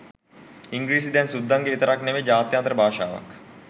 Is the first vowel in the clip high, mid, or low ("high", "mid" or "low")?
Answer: high